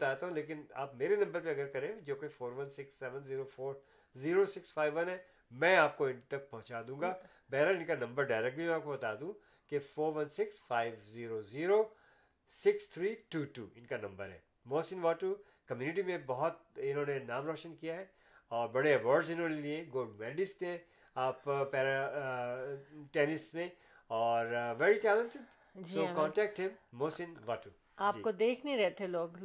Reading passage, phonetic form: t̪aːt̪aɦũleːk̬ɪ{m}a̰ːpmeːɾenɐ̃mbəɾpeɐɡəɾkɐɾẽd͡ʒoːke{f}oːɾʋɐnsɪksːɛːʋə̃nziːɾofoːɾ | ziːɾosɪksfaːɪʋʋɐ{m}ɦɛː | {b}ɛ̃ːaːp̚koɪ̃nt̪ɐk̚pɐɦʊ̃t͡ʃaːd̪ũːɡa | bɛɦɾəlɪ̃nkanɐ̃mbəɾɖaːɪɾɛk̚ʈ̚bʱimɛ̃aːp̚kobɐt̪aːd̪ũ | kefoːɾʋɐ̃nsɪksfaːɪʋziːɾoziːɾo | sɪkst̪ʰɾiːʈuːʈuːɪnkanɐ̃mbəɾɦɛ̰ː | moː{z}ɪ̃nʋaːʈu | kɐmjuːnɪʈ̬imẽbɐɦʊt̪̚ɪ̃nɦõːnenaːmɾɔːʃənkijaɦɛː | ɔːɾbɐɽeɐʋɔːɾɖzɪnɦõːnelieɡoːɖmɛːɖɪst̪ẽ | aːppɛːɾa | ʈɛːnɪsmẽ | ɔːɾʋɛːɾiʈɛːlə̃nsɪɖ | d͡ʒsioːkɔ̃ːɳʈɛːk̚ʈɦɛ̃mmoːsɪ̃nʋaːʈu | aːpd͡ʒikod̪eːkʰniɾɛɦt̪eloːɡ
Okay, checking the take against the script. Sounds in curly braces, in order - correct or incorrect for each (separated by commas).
incorrect, correct, incorrect, incorrect, incorrect